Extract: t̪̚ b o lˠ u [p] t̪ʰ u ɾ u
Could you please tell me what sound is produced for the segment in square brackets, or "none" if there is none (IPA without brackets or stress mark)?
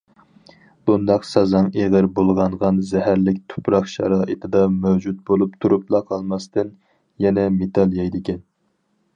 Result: p